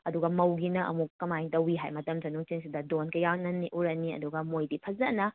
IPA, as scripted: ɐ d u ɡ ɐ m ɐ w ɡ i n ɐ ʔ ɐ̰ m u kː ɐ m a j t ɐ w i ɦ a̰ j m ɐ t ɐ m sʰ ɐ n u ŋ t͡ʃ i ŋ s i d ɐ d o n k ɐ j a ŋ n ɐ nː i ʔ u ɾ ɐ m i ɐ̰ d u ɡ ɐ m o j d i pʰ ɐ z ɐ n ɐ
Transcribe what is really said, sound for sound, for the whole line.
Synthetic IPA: ɐ d u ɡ ɐ m ɐ w ɡ i n ɐ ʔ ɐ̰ m u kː ɐ m a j t ɐ w i ɦ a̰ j m ɐ t ɐ m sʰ ɐ n u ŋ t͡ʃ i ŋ s i d ɐ d o n k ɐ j a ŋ n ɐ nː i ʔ u ɾ ɐ n i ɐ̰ d u ɡ ɐ m o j d i pʰ ɐ z ɐ n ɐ

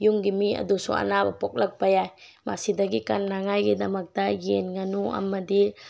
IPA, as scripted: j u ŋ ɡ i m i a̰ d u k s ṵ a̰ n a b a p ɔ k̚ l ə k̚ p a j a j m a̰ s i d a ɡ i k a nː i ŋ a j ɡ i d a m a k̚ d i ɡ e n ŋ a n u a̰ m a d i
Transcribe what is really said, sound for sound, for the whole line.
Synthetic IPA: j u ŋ ɡ i m i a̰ d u s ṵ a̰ n a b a p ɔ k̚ l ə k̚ p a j a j m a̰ s i d a ɡ i k a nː a ŋ a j ɡ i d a m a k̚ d a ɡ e n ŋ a n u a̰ m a d i

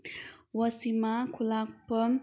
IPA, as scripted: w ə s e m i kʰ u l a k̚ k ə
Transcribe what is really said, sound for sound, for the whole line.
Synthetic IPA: w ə s i m a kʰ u l a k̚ p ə

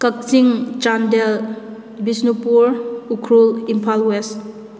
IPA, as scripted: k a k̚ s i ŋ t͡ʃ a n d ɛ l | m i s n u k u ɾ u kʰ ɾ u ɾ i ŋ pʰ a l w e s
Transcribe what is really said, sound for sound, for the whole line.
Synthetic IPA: k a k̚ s i ŋ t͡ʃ a n d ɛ l | b i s n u p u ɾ u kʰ ɾ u l i m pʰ a l w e s

